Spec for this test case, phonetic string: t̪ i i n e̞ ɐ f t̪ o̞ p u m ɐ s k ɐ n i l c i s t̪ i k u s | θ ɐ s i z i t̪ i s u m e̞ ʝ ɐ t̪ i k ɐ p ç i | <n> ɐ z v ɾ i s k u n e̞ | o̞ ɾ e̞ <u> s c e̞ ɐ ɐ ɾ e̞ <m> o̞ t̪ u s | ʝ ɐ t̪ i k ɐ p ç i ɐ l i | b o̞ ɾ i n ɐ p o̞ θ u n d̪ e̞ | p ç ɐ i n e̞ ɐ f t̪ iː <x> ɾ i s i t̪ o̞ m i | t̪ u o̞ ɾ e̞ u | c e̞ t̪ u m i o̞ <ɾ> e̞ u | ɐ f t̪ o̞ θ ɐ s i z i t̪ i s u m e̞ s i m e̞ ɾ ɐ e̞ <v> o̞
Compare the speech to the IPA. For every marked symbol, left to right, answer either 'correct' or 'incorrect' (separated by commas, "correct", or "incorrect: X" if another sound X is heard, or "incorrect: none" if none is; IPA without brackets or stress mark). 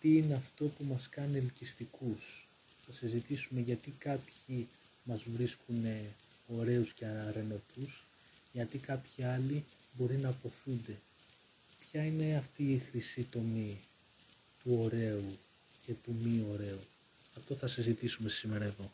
incorrect: m, correct, incorrect: n, correct, correct, incorrect: ð